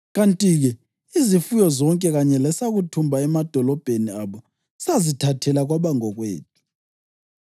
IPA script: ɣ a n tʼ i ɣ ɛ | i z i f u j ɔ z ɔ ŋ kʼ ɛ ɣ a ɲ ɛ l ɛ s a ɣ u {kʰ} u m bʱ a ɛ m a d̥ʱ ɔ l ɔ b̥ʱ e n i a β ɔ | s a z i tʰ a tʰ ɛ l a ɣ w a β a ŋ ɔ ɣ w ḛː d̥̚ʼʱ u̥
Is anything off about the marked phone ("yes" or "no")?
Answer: yes